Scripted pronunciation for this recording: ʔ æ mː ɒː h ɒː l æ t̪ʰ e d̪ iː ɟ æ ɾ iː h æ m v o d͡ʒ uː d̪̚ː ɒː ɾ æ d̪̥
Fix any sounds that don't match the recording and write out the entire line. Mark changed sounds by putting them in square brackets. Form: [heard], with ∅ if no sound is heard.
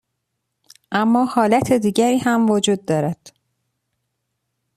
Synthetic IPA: ʔ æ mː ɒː h ɒː l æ t̪ʰ e d̪ iː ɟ æ ɾ iː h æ m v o d͡ʒ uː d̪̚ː ɒː ɾ æ d̪̥